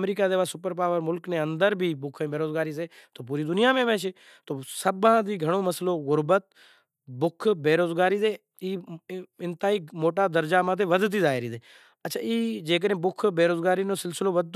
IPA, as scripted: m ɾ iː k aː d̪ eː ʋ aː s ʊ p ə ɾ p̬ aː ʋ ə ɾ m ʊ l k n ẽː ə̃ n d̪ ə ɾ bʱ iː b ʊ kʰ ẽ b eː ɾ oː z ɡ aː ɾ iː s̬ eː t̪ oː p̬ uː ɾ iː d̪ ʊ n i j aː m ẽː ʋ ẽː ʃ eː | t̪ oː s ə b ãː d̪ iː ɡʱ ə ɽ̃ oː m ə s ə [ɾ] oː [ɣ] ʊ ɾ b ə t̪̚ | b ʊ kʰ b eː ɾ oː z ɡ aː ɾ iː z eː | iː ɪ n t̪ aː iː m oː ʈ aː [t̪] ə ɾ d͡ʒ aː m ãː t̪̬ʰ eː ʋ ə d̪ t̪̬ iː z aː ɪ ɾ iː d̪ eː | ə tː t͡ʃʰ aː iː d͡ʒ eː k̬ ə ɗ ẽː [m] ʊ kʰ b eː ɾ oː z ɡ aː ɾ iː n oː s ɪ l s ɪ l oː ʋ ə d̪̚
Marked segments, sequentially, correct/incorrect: incorrect: l, correct, incorrect: d̪, incorrect: b

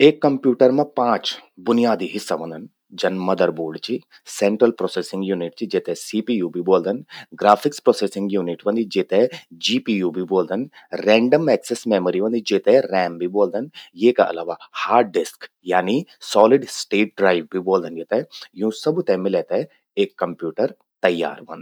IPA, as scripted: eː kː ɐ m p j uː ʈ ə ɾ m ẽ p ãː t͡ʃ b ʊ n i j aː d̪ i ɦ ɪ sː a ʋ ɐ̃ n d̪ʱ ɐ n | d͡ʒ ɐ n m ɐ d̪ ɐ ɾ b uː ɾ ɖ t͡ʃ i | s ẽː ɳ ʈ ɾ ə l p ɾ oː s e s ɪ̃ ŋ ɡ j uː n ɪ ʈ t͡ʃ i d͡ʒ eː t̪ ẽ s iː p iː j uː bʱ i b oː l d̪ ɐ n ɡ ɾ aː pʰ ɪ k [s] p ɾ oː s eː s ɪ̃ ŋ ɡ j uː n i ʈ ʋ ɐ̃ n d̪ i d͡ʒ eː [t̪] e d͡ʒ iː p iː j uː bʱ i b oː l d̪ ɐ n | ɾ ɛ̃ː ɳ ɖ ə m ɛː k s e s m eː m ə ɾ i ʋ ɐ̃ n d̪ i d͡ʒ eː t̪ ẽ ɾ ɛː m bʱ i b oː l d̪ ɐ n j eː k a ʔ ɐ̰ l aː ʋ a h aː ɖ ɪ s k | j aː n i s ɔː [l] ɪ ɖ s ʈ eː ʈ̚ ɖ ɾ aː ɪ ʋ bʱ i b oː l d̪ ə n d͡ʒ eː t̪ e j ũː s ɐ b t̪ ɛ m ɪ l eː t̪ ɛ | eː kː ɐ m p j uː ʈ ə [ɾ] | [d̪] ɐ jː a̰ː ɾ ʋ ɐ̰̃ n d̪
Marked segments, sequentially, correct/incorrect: correct, correct, correct, correct, incorrect: t̪

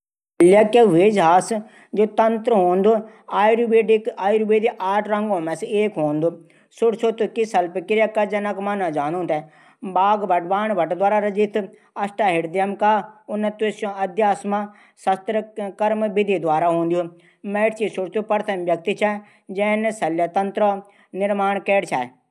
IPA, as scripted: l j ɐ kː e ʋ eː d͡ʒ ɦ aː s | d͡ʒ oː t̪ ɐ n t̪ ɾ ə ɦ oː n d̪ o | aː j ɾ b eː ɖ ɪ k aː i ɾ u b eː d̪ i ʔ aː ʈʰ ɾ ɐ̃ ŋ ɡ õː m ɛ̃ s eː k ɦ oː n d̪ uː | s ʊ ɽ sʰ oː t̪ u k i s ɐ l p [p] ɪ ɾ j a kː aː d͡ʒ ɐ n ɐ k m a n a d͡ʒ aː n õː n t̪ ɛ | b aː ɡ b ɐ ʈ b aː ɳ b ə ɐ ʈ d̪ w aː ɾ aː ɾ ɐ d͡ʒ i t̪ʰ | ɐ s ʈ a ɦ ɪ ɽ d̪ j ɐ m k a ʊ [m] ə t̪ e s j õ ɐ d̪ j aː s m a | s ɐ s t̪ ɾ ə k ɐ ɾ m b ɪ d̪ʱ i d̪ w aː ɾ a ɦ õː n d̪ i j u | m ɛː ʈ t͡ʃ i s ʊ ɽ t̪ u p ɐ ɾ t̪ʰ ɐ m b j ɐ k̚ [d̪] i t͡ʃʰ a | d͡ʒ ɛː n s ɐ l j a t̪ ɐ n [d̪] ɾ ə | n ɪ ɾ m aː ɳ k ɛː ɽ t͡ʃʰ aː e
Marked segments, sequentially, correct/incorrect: incorrect: k, incorrect: n, incorrect: t̪, incorrect: t̪

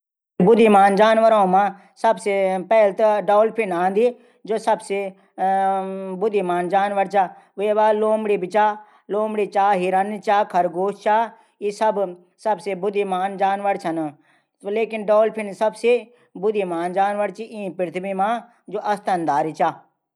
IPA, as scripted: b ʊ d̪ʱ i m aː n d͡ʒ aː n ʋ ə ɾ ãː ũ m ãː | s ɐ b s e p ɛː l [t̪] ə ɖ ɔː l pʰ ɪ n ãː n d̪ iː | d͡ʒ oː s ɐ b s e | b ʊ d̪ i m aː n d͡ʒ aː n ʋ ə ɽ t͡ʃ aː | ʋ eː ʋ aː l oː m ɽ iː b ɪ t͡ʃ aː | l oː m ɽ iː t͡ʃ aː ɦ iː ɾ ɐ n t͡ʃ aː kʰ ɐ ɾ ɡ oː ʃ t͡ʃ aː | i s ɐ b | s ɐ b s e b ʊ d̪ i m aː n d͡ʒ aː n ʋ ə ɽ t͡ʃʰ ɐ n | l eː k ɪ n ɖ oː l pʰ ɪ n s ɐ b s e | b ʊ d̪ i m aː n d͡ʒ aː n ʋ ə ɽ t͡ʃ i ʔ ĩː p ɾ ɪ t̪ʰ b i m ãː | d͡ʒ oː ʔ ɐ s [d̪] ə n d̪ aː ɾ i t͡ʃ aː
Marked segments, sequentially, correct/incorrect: correct, incorrect: t̪

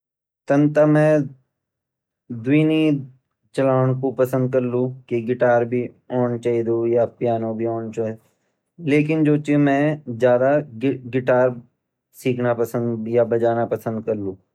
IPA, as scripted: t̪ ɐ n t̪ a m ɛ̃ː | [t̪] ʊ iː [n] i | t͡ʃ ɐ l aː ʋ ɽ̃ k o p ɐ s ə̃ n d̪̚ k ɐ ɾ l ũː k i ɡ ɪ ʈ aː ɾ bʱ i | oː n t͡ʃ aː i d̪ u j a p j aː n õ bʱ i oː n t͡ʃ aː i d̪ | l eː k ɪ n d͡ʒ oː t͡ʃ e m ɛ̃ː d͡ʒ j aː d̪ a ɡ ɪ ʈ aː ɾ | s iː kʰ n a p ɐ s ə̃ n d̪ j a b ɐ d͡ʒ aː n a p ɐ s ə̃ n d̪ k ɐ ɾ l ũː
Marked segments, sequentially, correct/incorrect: incorrect: d̪, correct

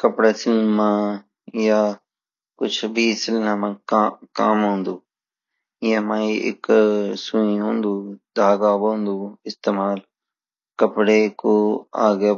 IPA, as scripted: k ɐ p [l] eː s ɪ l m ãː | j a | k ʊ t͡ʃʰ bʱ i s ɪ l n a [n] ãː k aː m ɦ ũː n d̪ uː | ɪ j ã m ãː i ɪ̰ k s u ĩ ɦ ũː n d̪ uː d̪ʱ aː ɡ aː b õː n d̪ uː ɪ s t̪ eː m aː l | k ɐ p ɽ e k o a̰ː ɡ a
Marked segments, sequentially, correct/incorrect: incorrect: ɽ, incorrect: m

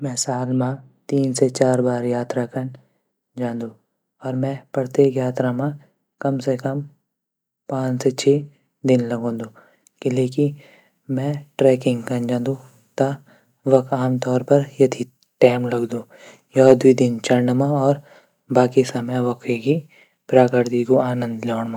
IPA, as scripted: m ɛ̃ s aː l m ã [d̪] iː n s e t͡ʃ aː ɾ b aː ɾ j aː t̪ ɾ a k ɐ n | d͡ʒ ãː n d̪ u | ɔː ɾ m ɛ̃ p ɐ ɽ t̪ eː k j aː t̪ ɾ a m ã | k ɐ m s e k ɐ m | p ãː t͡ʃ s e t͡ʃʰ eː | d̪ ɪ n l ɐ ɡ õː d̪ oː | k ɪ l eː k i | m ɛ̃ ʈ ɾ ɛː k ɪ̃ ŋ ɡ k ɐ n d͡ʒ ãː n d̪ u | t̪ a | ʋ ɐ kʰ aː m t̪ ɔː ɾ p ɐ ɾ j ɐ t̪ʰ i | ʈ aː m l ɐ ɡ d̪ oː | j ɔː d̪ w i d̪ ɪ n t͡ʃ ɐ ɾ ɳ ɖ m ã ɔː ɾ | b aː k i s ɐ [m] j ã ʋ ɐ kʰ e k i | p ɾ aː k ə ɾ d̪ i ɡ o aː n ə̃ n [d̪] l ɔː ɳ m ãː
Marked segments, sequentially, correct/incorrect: incorrect: t̪, correct, correct

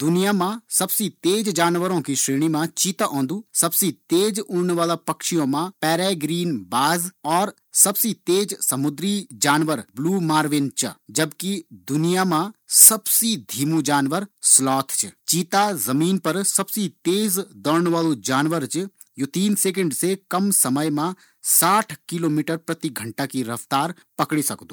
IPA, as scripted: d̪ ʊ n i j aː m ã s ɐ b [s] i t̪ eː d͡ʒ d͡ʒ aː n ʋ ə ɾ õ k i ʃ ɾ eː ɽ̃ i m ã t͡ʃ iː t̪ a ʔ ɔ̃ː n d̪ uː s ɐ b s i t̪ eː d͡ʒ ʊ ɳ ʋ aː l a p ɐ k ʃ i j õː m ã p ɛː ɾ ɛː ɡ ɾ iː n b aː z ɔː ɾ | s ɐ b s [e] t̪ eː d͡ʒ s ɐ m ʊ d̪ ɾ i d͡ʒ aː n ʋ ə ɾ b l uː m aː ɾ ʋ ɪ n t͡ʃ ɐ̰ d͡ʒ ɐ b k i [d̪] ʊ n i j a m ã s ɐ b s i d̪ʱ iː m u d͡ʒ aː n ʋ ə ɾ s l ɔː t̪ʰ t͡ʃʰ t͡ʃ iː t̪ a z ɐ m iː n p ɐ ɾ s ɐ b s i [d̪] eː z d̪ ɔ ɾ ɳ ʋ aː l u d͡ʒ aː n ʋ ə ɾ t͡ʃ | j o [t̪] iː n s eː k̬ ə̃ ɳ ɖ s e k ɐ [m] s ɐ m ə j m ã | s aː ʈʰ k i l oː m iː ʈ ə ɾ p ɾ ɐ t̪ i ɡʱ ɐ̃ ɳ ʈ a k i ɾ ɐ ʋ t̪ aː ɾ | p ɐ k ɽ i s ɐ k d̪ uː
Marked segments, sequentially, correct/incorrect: correct, incorrect: i, correct, incorrect: t̪, correct, correct

